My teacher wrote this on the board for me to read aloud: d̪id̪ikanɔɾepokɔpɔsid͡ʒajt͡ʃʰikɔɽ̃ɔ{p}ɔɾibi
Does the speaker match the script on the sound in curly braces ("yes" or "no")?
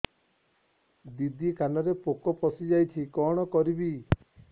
no